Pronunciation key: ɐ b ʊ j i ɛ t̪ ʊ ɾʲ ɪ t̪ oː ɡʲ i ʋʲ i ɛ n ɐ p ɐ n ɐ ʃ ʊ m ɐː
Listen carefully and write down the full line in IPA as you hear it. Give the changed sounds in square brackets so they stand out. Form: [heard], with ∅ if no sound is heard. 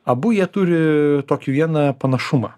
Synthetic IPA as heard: ɐ b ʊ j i ɛ t̪ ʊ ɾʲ ɪ t̪ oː [kʲ] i ʋʲ i ɛ n ɐ p ɐ n ɐ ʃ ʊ m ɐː